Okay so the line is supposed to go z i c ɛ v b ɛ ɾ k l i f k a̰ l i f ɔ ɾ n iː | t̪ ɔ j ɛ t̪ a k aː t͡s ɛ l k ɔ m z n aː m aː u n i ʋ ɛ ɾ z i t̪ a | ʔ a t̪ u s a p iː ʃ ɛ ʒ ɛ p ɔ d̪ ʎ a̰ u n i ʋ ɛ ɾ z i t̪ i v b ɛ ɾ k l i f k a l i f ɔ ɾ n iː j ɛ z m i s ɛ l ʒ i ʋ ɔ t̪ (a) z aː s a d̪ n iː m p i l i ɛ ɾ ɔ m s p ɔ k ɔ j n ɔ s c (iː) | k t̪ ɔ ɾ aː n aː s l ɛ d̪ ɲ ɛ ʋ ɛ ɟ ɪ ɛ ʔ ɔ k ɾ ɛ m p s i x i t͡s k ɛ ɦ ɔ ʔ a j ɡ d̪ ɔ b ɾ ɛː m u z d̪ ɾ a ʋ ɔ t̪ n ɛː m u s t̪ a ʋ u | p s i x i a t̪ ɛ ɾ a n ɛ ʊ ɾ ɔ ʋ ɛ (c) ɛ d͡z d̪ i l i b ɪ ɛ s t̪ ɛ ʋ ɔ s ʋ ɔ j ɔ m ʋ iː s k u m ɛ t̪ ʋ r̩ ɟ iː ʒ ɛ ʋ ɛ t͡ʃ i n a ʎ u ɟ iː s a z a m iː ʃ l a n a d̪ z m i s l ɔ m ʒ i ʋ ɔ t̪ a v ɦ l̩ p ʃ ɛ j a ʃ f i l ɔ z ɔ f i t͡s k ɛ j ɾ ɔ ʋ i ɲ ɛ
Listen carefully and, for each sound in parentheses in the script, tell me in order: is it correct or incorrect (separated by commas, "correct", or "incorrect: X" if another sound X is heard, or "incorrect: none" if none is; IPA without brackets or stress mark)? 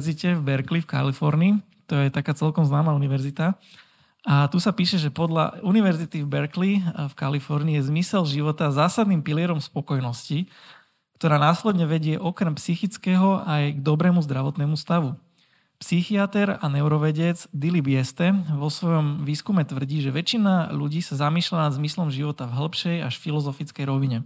correct, incorrect: i, incorrect: ɟ